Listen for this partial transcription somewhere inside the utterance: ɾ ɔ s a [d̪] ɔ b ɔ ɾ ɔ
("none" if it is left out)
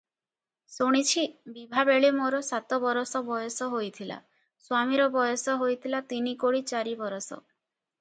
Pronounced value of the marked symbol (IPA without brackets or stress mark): t̪